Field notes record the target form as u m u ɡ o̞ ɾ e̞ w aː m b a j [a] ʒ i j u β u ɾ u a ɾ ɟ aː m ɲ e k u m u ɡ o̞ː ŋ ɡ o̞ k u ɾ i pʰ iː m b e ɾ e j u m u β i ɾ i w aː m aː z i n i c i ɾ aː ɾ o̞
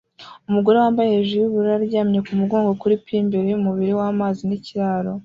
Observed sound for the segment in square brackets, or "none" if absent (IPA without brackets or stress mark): e